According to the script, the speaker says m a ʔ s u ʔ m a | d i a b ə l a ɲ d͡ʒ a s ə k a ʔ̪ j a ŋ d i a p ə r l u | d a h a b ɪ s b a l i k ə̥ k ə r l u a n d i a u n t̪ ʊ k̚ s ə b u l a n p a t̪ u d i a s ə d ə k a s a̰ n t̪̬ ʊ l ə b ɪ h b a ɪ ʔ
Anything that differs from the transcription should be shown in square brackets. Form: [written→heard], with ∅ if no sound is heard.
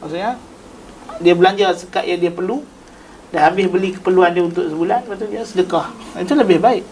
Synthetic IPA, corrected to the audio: m a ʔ s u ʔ [m→ɲ] a | d i a b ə l a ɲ d͡ʒ a s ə k a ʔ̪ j a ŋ d i a p ə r l u | d a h a b ɪ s b [a→ə] l i k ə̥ [k→p] ə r l u a n d i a u n t̪ ʊ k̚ s ə b u l a n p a t̪ u d i a s ə d ə k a [s→h] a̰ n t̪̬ [ʊ→u] l ə b ɪ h b a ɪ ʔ